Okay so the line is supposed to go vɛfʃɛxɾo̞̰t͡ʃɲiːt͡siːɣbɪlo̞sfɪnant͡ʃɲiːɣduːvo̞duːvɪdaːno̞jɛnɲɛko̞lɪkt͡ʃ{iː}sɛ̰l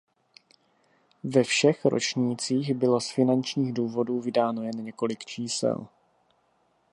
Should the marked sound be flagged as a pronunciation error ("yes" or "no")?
no